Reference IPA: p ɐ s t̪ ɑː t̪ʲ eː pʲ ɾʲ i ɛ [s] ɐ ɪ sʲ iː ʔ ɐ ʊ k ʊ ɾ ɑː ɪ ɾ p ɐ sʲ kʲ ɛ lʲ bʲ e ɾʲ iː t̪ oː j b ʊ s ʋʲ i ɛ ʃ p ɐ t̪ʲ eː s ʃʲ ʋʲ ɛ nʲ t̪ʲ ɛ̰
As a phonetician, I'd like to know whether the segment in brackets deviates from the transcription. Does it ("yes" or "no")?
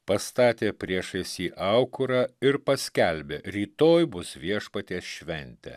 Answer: yes